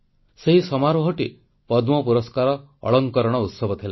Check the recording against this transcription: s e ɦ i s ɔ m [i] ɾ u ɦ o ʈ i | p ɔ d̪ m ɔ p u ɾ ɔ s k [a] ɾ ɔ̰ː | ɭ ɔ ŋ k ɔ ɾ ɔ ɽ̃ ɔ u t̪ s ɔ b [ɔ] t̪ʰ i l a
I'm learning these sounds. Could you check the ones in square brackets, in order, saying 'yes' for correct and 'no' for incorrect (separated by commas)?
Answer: no, yes, yes